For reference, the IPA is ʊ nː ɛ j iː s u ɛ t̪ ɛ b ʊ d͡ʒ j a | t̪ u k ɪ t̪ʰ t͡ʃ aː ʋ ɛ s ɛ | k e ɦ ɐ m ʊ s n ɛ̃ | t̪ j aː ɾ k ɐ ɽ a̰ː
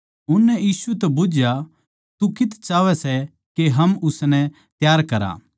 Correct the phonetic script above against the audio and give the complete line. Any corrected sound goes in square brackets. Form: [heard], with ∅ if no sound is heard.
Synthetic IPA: ʊ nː ɛ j iː s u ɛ t̪ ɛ b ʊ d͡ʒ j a | t̪ u k ɪ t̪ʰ t͡ʃ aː ʋ ɛ s ɛ | k e ɦ ɐ m ʊ s n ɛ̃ | t̪ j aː ɾ k ɐ [ɾ] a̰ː